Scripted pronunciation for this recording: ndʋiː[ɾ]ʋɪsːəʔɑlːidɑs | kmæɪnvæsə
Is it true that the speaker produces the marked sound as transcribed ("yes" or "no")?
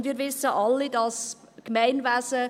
yes